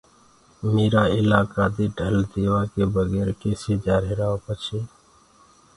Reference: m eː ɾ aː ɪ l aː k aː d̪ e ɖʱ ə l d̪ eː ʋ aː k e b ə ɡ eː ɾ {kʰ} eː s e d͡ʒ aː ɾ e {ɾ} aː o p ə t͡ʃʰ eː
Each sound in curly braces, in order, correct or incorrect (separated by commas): incorrect, correct